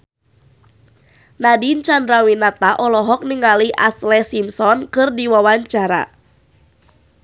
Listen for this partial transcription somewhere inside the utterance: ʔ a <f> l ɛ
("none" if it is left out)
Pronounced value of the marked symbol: s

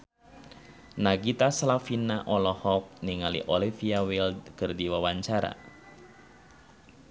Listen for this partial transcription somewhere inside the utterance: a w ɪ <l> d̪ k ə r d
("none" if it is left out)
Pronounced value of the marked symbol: l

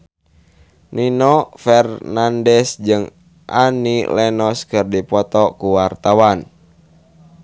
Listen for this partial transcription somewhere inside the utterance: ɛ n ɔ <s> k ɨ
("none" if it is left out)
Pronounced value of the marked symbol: s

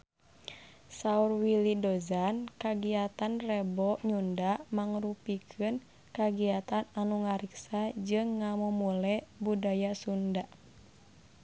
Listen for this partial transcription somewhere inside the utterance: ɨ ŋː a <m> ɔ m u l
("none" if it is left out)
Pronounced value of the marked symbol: m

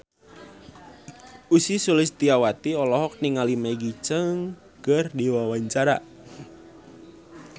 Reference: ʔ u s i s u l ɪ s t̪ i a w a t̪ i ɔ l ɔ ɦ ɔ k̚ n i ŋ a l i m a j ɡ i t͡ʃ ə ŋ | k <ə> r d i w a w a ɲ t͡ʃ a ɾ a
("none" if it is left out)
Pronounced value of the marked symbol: ə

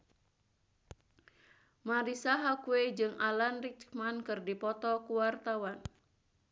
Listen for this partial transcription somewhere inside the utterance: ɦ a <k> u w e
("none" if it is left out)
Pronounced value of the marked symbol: k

